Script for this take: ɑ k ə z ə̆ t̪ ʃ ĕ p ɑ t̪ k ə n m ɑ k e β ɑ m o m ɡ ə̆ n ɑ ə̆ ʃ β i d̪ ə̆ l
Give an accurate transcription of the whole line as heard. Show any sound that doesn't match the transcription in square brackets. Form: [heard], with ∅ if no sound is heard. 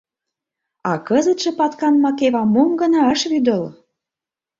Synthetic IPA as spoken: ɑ k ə z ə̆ t̪ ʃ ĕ p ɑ t̪ k [ɑ] n m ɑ k e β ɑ m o m ɡ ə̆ n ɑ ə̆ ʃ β [y] d̪ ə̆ l